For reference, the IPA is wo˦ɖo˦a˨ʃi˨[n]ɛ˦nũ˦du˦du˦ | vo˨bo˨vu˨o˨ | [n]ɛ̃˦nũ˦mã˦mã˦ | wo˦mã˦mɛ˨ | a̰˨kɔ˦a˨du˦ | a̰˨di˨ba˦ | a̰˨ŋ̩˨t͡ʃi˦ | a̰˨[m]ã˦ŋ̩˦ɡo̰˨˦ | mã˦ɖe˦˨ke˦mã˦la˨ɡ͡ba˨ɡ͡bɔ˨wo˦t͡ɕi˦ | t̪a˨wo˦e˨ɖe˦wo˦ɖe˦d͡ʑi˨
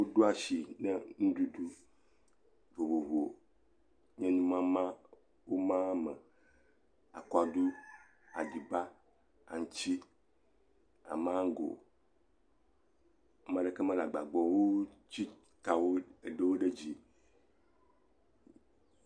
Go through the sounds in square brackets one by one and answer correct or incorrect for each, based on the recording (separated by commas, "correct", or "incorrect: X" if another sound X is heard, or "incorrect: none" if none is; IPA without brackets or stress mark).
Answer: correct, incorrect: ɲ, correct